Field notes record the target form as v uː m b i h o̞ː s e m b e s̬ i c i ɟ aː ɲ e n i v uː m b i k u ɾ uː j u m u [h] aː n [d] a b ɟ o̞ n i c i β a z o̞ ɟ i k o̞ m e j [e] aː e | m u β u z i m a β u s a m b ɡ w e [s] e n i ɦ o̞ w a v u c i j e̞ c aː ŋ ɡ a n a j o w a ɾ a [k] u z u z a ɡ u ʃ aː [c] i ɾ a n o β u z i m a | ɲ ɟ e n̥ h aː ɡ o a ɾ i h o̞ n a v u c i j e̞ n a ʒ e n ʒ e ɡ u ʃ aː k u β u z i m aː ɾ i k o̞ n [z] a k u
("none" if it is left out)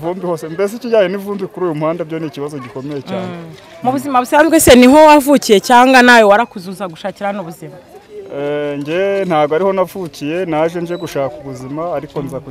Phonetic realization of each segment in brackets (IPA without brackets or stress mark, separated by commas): h, d, e, s, k, c, z